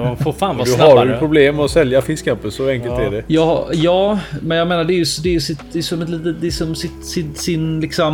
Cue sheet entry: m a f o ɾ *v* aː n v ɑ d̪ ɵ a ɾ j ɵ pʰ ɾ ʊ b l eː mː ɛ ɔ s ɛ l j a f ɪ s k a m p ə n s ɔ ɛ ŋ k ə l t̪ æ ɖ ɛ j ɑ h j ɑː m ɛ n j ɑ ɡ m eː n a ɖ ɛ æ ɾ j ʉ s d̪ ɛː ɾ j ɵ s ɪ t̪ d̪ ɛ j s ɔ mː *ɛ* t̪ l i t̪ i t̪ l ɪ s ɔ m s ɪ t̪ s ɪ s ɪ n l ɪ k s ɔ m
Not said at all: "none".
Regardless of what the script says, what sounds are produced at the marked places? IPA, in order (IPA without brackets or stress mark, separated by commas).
f, ɛ